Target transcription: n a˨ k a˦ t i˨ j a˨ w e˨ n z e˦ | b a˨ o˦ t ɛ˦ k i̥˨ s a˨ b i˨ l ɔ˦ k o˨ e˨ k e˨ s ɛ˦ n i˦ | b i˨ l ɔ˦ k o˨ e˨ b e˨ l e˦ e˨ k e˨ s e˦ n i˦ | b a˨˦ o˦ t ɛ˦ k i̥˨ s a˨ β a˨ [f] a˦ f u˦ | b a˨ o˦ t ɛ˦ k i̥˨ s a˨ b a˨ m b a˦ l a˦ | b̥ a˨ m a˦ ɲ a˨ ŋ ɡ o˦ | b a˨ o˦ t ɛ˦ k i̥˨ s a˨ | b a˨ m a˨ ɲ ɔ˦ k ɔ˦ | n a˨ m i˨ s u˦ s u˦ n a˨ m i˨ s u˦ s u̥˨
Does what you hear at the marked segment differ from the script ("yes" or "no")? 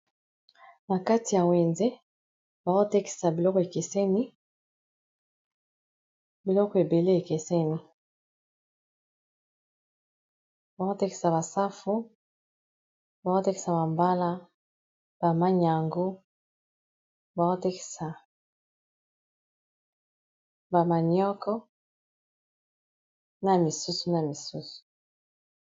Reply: yes